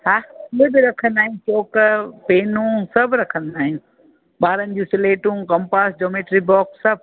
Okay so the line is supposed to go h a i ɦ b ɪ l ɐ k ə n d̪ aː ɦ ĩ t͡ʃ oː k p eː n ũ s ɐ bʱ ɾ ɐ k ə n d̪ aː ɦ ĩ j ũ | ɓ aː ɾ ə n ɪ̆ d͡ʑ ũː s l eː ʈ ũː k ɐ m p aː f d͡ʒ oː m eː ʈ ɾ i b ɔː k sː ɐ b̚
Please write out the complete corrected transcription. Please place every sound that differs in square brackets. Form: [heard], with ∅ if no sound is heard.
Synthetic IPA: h a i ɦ b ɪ [ɾ] ɐ [kʰ] ə n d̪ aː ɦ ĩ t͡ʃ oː k p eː n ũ s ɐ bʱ ɾ ɐ [kʰ] ə n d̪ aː ɦ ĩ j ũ | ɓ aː ɾ ə n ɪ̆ d͡ʑ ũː s l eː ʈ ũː k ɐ m p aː [s] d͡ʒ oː m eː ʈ ɾ i b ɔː k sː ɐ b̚

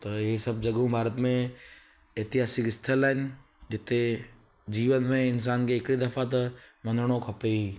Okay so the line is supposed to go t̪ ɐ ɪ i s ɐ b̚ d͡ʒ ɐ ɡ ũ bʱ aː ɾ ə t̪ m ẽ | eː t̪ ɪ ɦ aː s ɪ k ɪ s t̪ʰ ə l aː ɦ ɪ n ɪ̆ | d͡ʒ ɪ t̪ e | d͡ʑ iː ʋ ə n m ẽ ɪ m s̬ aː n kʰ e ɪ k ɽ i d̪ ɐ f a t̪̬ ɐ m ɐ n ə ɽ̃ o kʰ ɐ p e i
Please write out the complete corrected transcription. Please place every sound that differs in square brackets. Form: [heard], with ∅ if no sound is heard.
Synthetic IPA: t̪ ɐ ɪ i s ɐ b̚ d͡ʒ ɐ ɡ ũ bʱ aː ɾ ə t̪ m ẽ | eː t̪ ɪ ɦ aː s ɪ k ɪ s t̪ʰ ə l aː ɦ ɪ n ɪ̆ | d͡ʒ ɪ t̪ e | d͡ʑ iː ʋ ə n m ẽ ɪ [n] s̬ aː n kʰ e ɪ k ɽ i d̪ ɐ f a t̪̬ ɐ m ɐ n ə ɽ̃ o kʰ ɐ p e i

